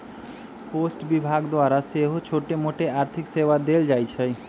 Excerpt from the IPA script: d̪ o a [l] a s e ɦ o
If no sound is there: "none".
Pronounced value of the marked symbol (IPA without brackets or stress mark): ɾ